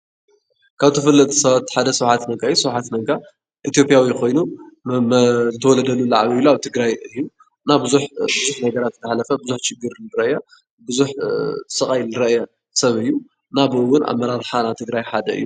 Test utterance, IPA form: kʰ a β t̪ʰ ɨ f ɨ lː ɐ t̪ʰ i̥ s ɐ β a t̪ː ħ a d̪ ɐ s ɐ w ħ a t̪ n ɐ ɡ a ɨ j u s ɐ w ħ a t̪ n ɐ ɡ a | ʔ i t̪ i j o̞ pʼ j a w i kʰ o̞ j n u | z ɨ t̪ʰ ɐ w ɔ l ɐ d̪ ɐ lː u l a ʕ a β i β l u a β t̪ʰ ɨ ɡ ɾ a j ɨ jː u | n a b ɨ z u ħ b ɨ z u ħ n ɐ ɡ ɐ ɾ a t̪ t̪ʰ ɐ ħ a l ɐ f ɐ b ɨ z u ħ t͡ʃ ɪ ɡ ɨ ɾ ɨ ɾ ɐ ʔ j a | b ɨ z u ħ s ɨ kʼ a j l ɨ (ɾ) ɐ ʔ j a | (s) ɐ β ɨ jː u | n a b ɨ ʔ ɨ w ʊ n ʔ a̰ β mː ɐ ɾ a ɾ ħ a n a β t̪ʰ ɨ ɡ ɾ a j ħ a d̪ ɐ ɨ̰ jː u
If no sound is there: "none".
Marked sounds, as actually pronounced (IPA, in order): ɾ, s

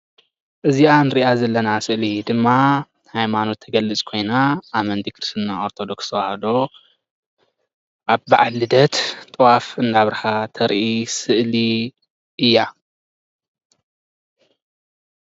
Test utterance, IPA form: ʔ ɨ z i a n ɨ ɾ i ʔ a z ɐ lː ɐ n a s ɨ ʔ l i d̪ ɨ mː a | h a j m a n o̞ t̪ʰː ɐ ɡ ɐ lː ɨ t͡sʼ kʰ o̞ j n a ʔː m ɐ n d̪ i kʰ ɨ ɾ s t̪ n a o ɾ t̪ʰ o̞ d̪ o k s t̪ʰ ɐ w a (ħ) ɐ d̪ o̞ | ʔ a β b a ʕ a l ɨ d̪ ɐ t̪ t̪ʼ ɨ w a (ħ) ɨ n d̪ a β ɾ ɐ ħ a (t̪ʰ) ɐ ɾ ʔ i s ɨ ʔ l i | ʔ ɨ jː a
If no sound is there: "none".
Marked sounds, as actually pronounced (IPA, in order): h, f, t̪ʰ

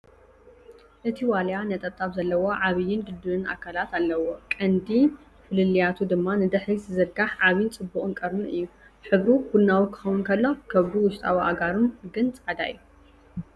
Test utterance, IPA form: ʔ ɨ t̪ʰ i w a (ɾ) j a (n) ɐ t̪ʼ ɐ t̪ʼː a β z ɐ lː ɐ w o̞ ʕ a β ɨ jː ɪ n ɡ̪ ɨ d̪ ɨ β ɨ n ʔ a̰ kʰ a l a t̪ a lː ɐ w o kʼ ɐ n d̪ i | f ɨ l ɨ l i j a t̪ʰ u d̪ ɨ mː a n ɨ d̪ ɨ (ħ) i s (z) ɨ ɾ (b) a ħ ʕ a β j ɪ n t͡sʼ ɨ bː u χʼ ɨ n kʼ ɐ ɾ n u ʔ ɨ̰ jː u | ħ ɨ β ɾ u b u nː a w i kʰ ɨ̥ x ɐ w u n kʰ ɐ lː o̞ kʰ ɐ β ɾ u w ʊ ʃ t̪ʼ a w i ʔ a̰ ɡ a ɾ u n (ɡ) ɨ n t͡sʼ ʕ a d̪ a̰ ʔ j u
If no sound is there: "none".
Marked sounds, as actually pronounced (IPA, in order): l, n, ħ, z, ɡ, ɡ

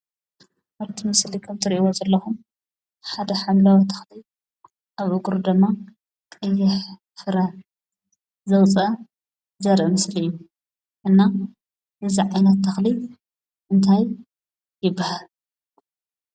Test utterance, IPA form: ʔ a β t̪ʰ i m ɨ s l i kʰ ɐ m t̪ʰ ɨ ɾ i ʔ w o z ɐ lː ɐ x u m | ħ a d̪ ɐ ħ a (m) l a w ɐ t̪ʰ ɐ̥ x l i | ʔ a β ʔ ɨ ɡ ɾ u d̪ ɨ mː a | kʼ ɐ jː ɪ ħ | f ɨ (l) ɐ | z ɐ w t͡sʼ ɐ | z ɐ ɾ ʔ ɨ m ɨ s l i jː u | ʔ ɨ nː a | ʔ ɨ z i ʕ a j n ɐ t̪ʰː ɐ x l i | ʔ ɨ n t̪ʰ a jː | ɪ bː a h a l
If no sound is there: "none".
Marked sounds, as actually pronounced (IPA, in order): m, ɾ

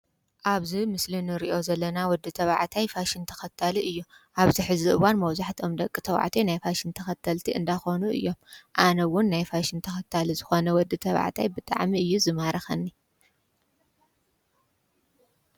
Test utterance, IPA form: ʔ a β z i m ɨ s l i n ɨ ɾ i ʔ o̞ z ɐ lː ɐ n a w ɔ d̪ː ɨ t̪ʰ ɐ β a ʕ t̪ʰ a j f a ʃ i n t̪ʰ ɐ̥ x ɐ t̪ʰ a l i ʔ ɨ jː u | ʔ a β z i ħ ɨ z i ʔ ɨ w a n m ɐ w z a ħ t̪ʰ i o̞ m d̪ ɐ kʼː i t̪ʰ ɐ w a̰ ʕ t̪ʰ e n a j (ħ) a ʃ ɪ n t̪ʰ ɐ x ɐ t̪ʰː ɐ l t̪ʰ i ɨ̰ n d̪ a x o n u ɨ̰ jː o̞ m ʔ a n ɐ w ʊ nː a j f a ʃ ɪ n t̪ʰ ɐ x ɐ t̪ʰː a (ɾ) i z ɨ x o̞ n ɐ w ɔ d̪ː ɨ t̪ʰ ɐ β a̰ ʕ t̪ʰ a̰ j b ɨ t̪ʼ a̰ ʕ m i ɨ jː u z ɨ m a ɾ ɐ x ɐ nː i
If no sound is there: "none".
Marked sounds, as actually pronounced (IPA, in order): f, l

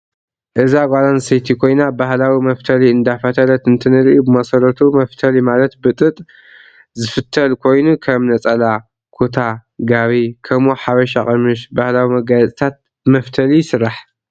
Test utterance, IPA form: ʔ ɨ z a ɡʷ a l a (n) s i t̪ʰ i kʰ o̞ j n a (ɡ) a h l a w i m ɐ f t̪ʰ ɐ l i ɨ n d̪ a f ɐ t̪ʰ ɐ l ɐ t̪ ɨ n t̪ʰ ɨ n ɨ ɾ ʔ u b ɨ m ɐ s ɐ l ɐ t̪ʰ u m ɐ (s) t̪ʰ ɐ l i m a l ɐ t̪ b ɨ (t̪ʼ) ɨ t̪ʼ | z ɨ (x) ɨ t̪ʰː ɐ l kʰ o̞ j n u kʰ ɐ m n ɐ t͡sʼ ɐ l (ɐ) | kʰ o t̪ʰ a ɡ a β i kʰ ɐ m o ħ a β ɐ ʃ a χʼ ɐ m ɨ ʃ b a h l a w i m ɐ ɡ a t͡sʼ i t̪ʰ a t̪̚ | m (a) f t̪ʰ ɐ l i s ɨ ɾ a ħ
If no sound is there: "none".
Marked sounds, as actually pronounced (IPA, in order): n, b, f, t̪ʼ, f, a, ɐ

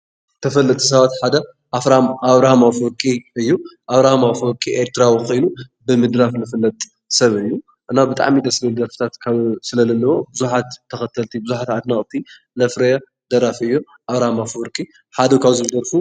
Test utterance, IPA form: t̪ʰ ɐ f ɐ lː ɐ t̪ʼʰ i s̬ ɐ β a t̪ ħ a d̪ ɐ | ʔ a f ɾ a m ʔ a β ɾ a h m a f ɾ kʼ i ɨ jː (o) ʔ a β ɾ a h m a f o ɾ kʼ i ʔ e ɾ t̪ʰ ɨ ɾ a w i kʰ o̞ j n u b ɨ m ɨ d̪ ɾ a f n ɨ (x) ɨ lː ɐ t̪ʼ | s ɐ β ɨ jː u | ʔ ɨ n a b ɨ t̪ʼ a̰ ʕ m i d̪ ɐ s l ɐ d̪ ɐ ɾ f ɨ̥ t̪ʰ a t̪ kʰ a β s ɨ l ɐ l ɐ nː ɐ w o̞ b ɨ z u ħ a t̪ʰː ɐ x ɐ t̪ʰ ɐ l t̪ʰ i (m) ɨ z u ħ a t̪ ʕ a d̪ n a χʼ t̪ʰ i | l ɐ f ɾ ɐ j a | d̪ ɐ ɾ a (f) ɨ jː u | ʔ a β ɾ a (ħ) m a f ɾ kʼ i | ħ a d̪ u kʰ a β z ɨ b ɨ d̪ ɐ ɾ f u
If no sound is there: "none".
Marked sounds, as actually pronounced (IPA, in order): u, f, b, f, h

